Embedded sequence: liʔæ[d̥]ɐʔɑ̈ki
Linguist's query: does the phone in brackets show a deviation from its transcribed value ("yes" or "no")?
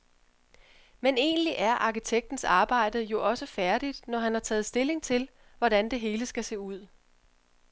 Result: yes